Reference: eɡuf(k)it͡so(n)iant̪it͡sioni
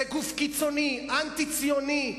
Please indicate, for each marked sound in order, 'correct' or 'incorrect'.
correct, correct

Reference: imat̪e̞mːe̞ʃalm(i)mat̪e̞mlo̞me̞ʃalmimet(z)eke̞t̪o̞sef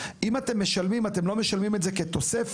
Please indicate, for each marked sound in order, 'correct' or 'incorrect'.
correct, correct

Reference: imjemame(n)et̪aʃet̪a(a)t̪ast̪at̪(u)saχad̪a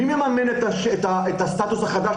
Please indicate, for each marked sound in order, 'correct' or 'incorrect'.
correct, incorrect: e, correct

